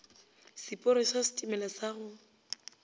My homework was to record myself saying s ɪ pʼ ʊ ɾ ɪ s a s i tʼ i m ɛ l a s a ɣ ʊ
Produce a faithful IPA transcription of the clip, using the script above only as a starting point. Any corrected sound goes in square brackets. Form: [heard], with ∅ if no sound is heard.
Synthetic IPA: s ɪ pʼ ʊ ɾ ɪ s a s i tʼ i m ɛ l a s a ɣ ʊ